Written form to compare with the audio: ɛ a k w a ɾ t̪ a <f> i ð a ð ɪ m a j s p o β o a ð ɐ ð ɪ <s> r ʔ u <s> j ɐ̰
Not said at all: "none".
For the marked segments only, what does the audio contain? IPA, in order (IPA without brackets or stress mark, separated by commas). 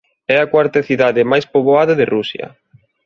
θ, none, s